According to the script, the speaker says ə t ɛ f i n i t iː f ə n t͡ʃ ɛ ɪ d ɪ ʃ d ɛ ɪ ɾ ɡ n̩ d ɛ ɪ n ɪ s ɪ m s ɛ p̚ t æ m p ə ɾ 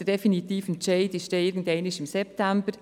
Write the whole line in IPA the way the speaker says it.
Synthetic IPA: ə d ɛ f i n i t iː f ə n t͡ʃ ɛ ɪ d ɪ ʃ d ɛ ɪ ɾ ɡ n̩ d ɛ ɪ n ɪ ʃ ɪ m s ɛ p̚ t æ m b ə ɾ